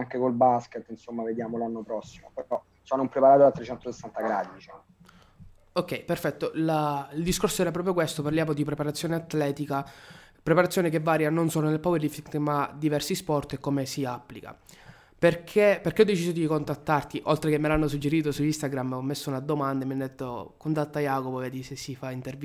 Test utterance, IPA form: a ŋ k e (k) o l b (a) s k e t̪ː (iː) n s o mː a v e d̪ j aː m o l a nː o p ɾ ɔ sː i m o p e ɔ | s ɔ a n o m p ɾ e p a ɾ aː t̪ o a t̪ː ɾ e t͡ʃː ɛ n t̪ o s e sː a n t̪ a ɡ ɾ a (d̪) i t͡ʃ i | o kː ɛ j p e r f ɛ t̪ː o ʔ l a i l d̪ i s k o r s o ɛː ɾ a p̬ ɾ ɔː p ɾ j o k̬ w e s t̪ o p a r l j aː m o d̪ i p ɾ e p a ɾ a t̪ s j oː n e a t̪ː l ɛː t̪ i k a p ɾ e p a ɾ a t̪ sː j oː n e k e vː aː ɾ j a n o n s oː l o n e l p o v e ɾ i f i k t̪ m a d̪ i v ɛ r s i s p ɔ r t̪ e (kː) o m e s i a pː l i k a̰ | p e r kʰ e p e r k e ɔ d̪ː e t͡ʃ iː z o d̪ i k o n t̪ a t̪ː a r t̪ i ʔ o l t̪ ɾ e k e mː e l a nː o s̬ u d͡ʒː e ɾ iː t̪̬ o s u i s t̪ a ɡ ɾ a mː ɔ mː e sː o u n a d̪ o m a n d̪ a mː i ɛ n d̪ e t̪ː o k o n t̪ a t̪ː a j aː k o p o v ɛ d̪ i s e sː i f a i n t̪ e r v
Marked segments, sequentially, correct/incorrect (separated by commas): correct, correct, incorrect, correct, correct